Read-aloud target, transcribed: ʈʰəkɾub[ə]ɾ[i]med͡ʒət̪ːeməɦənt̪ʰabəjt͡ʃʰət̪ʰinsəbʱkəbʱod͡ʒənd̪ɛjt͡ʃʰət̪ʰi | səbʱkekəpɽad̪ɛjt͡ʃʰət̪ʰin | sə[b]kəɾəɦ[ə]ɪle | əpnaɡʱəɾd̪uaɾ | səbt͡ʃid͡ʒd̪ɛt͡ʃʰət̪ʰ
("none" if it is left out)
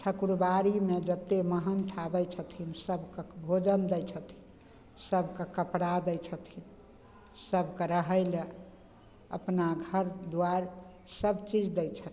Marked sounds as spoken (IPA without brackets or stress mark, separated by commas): a, i, b, ə